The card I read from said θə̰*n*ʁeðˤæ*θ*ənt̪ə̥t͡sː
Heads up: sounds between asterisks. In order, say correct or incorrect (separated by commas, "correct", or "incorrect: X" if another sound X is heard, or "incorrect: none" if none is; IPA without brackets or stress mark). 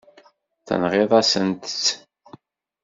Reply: correct, incorrect: s